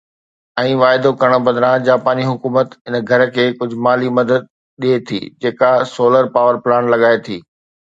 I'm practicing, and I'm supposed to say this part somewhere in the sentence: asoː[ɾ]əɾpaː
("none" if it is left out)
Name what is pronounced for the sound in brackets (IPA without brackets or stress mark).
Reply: l